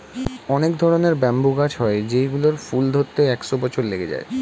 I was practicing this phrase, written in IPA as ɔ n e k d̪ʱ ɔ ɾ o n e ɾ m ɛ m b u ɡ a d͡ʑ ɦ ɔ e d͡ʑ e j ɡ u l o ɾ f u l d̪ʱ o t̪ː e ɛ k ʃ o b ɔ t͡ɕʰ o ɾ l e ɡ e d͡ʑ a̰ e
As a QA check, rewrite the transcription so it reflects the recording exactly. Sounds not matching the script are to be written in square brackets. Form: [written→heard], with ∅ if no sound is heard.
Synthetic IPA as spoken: ɔ n e k d̪ʱ ɔ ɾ o n e ɾ [m→b] ɛ m b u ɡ a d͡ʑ ɦ ɔ e d͡ʑ e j ɡ u l o ɾ f u l d̪ʱ o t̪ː e ɛ k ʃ o b ɔ t͡ɕʰ o ɾ l e ɡ e d͡ʑ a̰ e